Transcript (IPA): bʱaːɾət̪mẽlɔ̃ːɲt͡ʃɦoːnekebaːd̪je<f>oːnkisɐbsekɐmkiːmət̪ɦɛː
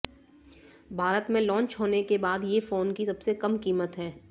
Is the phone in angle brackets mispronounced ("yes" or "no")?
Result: no